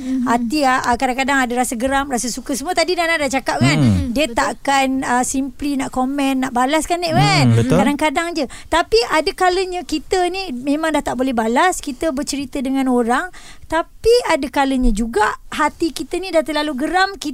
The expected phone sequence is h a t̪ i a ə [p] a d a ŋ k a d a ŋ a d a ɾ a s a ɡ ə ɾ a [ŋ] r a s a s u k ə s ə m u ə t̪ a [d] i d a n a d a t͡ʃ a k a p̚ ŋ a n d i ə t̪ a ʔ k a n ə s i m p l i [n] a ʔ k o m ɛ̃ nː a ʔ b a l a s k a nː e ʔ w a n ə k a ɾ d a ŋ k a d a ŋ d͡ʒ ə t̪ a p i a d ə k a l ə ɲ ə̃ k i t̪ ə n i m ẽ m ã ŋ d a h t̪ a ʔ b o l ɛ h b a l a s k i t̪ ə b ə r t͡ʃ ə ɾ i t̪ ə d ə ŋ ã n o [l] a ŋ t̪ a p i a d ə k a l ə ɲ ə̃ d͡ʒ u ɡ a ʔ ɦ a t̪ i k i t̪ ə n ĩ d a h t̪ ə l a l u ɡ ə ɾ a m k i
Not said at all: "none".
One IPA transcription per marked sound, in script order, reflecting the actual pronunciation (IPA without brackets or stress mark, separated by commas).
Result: k, m, d, n, ɾ